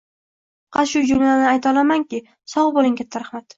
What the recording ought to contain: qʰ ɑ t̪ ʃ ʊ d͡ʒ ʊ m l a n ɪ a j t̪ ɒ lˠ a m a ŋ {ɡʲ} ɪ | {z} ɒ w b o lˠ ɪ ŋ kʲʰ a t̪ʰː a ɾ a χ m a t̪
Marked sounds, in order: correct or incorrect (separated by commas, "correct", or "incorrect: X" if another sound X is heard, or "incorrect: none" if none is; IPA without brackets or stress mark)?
incorrect: kʲ, incorrect: s